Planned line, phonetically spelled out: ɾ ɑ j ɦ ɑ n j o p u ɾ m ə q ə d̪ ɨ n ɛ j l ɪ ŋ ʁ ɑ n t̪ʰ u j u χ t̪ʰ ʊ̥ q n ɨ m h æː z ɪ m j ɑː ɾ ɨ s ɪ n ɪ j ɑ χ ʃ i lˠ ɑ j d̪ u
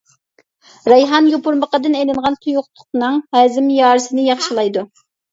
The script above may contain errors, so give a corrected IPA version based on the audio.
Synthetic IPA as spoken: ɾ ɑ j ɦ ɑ n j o p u ɾ m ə q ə d̪ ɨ n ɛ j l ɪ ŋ ʁ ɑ n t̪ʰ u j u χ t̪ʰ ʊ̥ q n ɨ ŋ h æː z ɪ m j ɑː ɾ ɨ s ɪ n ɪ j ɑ χ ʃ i lˠ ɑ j d̪ u